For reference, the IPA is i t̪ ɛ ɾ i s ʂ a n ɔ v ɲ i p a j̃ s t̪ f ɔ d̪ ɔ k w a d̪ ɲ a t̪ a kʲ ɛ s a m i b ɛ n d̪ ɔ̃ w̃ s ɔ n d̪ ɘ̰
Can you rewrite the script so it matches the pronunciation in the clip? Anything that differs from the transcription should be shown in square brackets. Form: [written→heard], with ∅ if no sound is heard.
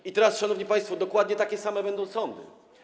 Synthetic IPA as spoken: i t̪ ɛ ɾ [i→a] s ʂ a n ɔ v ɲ i p a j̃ s t̪ f ɔ d̪ ɔ k w a d̪ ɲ [a→ɛ] t̪ a kʲ ɛ s a m [i→ɛ] b ɛ n d̪ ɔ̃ w̃ s ɔ n d̪ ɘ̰